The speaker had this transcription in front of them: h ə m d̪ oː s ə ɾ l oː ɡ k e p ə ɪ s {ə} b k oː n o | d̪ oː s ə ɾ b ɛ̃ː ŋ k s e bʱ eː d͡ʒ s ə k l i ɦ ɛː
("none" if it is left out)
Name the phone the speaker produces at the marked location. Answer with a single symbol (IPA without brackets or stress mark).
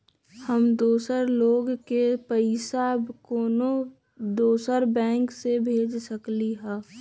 a